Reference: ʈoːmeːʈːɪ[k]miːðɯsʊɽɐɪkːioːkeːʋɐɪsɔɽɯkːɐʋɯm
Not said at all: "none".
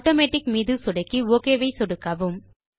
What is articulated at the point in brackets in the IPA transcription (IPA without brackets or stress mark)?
k